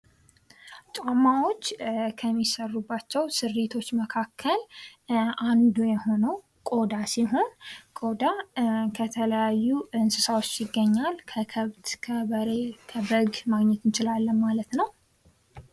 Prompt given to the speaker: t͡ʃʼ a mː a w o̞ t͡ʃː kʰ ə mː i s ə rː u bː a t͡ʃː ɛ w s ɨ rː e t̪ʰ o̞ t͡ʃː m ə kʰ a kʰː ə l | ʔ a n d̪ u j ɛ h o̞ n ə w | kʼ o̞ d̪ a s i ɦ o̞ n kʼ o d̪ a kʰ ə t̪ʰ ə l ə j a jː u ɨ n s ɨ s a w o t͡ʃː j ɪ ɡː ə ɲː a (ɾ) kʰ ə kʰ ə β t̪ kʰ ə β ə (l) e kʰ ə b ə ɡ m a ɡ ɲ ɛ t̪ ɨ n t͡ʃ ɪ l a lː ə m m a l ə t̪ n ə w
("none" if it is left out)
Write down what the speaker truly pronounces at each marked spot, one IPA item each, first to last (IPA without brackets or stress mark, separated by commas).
l, ɾ